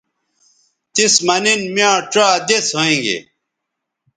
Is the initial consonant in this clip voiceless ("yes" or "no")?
yes